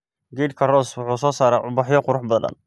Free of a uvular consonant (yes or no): no